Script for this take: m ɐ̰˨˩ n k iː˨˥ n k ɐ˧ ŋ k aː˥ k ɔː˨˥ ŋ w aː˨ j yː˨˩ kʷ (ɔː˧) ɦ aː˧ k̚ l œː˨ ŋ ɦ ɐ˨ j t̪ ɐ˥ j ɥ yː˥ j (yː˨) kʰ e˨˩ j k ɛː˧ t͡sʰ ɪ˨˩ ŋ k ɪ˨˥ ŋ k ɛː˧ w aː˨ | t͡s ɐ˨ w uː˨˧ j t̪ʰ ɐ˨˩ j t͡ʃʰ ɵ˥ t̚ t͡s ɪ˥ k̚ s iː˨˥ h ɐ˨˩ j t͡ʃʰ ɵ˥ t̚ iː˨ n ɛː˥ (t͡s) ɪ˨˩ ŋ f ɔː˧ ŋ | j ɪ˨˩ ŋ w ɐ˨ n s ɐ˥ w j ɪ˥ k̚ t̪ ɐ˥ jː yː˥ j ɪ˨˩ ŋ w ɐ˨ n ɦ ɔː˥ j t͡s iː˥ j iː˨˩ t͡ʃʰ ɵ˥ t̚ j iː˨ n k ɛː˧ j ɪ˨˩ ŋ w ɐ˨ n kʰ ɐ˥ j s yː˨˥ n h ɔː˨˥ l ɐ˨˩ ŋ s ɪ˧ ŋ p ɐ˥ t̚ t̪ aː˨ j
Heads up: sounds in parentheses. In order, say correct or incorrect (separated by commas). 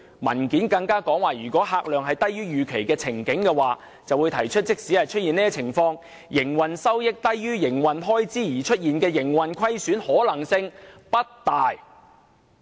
incorrect, correct, incorrect